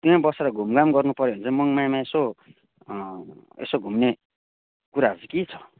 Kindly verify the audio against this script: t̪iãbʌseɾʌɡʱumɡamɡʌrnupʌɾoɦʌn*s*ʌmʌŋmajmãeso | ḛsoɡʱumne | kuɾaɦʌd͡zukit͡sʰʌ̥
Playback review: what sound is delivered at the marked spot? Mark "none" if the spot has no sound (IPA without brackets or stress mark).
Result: t͡s